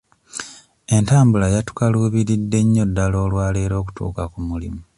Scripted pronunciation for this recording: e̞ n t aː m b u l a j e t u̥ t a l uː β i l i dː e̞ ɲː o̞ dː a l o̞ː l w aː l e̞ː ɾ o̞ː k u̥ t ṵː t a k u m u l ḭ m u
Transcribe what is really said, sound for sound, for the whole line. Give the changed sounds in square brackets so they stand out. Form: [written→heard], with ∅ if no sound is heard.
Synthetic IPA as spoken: e̞ n t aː m b u l a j [e→a] t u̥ [t→k] a l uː β i [l→ɾ] i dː e̞ ɲː o̞ dː a l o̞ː l w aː l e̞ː ɾ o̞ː k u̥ t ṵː [t→k] a k u m u l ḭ m u